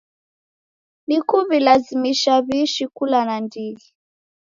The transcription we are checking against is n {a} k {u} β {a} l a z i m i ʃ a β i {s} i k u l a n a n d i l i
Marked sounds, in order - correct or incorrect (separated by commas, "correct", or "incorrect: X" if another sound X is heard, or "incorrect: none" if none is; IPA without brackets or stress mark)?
incorrect: i, correct, incorrect: i, incorrect: ʃ